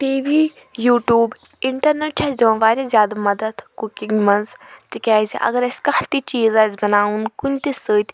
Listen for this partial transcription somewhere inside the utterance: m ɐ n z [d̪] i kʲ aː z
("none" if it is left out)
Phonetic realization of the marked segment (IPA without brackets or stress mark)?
t̪